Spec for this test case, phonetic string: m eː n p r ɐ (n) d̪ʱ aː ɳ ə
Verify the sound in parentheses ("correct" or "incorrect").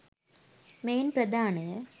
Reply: incorrect